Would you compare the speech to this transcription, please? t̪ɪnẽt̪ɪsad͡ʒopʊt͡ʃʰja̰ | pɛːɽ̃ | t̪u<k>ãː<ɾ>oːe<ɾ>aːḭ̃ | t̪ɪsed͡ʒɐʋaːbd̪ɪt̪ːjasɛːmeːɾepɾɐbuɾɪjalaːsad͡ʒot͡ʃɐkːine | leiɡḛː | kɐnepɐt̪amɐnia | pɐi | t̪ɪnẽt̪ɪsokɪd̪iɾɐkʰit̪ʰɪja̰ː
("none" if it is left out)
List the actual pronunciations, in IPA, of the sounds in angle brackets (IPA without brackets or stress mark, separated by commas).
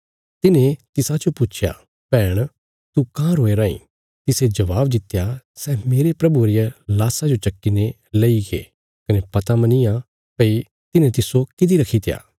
k, ɾ, ɾ